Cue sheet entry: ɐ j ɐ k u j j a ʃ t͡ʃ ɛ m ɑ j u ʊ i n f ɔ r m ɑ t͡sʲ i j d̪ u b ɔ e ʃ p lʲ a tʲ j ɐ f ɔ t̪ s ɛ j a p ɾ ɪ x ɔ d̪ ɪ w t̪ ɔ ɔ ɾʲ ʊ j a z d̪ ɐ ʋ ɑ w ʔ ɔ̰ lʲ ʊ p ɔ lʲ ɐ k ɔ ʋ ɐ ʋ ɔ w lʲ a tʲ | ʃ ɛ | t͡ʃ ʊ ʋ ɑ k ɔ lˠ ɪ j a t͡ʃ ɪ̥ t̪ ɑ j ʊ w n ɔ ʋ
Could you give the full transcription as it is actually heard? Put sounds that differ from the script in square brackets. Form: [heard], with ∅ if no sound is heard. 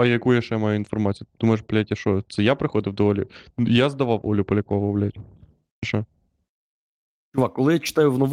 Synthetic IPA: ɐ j ɐ k u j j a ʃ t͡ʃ ɛ m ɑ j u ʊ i n f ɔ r m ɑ t͡sʲ i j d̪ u [m] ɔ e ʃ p lʲ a tʲ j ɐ [ʃ] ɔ t̪ s ɛ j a p ɾ ɪ x ɔ d̪ ɪ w [d̪] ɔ ɔ [lʲ] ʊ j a z d̪ ɐ ʋ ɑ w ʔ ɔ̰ lʲ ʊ p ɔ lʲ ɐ k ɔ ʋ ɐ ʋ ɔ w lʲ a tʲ | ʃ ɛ | t͡ʃ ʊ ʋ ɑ k ɔ lˠ ɪ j a t͡ʃ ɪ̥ t̪ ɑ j ʊ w n ɔ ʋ